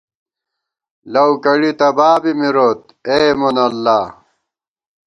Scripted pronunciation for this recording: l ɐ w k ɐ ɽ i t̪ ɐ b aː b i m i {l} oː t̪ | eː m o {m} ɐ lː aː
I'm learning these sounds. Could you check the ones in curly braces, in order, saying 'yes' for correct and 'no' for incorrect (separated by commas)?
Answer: no, no